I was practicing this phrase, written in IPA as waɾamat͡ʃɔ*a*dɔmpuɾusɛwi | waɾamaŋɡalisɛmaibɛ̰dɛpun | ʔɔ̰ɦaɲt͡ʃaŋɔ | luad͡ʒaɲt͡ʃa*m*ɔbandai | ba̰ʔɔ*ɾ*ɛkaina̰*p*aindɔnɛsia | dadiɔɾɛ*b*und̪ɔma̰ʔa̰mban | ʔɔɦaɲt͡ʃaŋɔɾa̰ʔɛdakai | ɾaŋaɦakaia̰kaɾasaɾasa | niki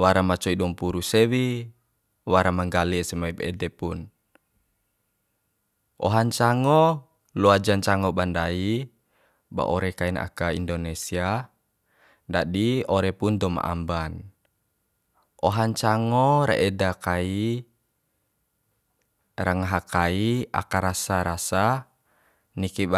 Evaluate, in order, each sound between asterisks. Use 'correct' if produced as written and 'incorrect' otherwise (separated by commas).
incorrect, incorrect, correct, incorrect, incorrect